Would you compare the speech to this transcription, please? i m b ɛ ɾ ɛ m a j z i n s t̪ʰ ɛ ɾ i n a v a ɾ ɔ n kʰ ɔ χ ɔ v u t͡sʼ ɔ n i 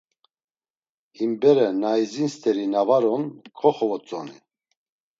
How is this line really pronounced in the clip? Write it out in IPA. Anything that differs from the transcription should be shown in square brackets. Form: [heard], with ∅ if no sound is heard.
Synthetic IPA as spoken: i m b ɛ ɾ ɛ [n] a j z i n s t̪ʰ ɛ ɾ i n a v a ɾ ɔ n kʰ ɔ χ ɔ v [ɔ] t͡sʼ ɔ n i